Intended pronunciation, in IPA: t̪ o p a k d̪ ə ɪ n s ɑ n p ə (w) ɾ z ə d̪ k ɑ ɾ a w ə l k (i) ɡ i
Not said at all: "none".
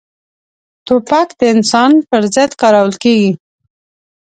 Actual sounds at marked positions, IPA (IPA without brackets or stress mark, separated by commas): none, e